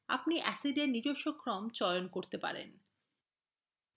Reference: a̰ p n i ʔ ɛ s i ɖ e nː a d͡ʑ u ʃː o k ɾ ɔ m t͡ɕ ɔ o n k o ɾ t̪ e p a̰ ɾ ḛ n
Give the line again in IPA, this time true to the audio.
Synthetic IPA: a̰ p n i ʔ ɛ s i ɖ e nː i d͡ʑ o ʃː o k ɾ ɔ m t͡ɕ ɔ o n k o ɾ t̪ e p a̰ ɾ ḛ n